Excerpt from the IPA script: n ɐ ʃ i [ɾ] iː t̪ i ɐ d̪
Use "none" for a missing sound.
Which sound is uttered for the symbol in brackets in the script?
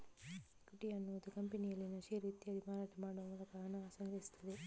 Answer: ɾ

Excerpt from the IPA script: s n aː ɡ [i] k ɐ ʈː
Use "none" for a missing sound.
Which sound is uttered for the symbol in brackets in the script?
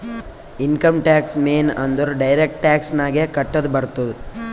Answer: e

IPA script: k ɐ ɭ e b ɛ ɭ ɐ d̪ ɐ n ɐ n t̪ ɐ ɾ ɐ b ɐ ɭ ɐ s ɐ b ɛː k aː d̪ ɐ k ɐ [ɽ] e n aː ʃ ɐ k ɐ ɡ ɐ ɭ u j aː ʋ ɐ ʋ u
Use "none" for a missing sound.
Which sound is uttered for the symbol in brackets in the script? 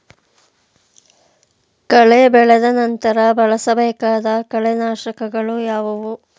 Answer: ɭ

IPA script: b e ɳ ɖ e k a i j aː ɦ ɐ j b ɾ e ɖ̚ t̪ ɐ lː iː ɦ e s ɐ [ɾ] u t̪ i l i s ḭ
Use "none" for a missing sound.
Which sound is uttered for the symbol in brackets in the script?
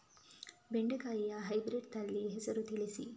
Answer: ɾ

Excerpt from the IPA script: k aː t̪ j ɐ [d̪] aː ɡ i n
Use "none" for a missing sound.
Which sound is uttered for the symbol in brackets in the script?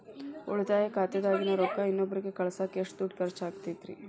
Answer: d̪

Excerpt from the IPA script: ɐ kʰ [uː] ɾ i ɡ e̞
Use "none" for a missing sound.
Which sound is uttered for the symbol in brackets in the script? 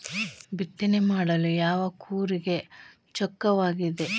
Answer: uː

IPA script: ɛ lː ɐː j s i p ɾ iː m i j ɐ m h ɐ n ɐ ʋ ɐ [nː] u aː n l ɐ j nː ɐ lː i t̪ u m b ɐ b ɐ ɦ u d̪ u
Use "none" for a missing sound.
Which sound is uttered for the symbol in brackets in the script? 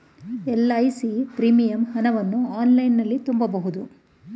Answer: nː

